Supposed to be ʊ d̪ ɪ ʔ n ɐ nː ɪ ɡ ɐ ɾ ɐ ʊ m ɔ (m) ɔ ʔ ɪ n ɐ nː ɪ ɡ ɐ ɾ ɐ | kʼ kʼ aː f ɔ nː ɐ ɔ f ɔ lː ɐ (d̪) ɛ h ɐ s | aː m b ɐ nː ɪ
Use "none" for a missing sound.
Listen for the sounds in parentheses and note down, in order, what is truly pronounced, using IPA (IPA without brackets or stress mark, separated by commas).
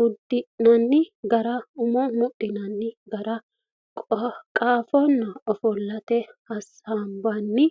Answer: m, t̪